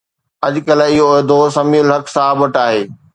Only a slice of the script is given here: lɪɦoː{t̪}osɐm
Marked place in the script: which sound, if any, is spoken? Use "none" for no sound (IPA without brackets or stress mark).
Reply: d̪